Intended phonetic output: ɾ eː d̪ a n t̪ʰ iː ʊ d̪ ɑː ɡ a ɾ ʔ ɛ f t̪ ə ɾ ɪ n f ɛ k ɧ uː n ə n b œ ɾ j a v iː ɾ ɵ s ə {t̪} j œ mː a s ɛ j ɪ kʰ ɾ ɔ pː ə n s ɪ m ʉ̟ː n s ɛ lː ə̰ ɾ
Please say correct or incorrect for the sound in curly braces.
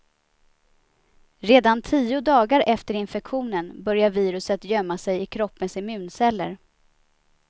correct